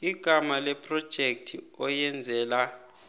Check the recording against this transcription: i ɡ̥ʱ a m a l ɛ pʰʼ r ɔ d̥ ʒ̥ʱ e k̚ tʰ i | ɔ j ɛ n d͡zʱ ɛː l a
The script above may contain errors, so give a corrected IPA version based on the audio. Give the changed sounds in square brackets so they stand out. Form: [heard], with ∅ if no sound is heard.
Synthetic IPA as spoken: i ɡ̥ʱ a m a l ɛ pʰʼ r ɔ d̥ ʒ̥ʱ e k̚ tʰ i | ɔ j ɛ n d͡zʱ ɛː l a